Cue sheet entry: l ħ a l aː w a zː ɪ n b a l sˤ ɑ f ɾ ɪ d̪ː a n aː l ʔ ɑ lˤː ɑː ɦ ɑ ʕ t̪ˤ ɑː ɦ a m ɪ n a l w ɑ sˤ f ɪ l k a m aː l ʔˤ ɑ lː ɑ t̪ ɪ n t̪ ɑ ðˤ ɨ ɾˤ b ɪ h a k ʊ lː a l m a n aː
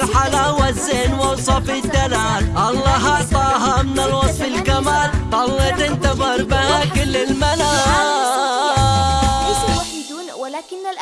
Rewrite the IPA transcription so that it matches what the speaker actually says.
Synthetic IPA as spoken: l ħ a l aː w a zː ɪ n w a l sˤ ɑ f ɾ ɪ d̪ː a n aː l ʔ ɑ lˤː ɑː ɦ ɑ ʕ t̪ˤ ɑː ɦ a m ɪ n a l w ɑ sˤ f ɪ l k a m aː l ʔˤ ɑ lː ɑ t̪ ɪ n t̪ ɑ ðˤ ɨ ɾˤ b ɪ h a k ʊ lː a l m a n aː